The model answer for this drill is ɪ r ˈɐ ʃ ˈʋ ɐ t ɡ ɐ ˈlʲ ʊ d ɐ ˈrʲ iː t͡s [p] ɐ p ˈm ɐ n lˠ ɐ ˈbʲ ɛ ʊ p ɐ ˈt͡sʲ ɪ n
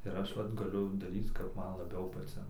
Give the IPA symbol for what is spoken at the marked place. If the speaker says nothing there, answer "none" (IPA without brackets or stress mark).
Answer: k